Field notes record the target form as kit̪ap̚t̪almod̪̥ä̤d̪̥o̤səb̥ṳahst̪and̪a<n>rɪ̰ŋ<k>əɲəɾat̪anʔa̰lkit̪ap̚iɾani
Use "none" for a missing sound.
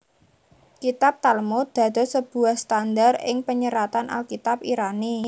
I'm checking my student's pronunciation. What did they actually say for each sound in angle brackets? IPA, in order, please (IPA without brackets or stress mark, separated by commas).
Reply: none, p